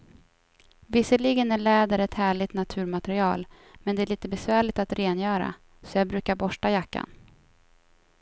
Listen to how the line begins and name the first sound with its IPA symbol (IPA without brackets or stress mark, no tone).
v